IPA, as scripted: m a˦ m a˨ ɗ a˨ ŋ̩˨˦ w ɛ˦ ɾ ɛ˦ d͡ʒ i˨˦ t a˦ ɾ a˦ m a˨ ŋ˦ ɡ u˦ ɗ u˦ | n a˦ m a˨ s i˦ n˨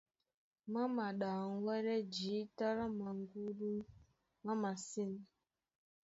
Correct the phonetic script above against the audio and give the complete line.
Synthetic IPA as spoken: m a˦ m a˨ ɗ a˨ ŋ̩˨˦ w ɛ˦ ɾ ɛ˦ d͡ʒ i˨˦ t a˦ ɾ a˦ m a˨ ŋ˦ ɡ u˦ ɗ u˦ | m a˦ m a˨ s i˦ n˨